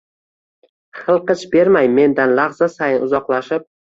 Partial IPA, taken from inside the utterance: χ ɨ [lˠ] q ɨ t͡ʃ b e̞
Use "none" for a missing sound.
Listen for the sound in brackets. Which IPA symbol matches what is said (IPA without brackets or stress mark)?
lˠ